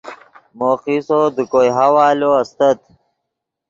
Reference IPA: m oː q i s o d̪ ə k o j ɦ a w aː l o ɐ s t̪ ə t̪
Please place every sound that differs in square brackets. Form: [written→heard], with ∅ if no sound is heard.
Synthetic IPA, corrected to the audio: m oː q i s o d̪ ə k o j ɦ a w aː l o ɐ s t̪ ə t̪